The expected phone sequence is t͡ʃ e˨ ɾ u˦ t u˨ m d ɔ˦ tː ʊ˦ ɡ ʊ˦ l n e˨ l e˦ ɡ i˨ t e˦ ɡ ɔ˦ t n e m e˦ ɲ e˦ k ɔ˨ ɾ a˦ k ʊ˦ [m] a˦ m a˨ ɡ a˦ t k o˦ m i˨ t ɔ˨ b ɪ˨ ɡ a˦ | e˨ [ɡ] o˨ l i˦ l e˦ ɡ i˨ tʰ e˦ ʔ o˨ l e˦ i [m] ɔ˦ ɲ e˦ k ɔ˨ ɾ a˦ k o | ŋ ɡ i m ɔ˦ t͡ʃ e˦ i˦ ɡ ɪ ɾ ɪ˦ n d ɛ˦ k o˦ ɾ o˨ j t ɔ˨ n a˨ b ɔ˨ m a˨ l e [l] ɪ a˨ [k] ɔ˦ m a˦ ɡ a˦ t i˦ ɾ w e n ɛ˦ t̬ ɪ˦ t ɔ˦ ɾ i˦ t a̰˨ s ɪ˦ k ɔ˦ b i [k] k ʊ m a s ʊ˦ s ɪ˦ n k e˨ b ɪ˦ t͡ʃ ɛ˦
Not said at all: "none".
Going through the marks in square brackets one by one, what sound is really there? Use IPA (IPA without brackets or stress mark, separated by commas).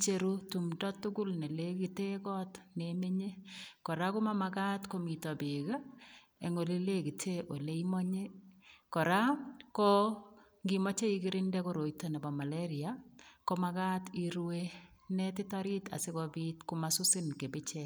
m, ŋ, m, ɾ, k, t